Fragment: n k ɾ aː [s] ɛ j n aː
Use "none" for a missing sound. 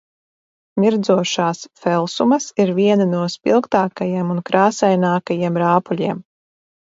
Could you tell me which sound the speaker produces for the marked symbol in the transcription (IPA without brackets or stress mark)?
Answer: s